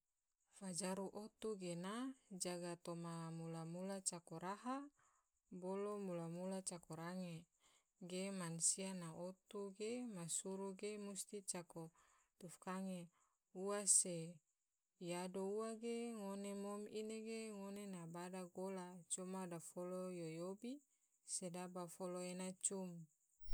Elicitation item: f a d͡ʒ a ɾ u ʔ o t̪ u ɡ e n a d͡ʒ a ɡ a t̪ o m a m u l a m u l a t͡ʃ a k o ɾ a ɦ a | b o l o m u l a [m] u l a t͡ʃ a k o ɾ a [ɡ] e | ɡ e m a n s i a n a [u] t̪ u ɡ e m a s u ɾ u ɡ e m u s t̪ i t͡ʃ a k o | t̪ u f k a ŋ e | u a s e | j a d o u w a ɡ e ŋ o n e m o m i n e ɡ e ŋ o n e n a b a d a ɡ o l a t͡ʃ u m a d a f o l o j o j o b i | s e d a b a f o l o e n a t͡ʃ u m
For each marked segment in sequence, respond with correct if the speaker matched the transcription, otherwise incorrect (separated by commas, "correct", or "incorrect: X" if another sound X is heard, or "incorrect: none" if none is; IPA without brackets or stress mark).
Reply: correct, incorrect: ŋ, incorrect: o